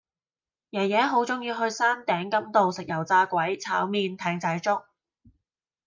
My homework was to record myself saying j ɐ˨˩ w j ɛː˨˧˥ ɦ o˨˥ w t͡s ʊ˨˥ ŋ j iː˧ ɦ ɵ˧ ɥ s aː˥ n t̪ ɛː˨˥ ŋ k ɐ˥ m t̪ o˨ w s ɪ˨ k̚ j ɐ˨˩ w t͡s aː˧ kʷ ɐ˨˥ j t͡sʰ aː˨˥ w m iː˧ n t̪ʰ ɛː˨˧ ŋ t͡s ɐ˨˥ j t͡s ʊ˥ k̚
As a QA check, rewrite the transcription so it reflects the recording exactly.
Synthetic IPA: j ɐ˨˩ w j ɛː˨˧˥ ɦ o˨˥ w t͡s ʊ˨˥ ŋ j iː˧ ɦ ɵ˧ ɥ s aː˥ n t̪ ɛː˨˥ ŋ k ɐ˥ m t̪ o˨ w s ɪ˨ k̚ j ɐ˨˩ w t͡s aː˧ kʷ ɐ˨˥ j t͡sʰ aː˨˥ w m iː˧ n t̪ʰ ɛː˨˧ ŋ t͡s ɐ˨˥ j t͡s ʊ˥ k̚